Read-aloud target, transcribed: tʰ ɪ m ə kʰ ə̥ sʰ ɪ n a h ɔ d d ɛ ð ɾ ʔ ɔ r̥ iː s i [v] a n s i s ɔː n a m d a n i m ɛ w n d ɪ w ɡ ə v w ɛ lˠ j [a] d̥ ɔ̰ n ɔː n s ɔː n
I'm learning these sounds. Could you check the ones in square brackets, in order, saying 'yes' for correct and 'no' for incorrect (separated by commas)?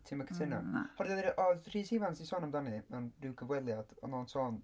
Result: yes, yes